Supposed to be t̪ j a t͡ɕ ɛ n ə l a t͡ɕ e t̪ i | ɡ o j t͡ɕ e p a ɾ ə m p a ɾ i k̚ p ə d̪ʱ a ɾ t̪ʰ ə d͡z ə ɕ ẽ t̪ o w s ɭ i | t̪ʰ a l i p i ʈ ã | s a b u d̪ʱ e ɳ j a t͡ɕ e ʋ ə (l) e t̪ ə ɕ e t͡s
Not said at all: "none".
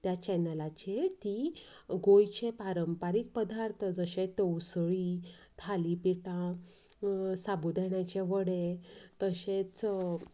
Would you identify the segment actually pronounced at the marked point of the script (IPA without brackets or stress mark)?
ɽ